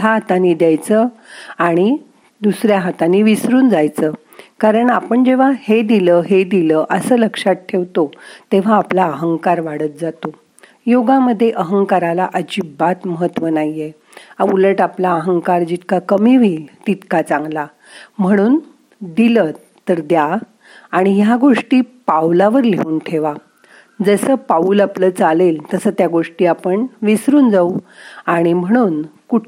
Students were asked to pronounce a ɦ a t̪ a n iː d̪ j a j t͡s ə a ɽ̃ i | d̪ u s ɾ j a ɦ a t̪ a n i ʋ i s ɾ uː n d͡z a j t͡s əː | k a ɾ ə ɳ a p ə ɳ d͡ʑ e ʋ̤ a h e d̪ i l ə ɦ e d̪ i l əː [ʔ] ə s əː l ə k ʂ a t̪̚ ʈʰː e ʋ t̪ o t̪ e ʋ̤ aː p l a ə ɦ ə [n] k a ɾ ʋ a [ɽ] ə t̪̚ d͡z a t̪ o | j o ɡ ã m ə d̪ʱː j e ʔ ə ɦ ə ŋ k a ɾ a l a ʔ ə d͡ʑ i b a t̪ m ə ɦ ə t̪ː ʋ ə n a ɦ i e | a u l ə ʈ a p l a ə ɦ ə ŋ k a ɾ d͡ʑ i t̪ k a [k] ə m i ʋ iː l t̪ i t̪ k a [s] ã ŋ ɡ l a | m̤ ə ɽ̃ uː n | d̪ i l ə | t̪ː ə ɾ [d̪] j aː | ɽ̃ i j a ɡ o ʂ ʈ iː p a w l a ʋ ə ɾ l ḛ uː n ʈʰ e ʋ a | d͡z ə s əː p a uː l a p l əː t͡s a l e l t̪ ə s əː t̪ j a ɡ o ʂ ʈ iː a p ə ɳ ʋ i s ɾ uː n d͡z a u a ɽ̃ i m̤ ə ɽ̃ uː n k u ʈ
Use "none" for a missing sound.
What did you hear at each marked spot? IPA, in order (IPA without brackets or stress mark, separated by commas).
ʔ, ŋ, ɽ, k, t͡s, d̪